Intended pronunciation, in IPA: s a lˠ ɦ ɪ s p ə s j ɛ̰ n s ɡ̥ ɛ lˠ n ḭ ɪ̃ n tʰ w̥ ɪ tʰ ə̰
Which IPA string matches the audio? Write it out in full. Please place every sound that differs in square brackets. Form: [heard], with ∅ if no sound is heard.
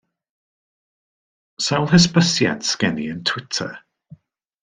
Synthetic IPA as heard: s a lˠ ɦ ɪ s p ə s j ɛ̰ n s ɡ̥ ɛ [∅] n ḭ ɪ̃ n tʰ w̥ ɪ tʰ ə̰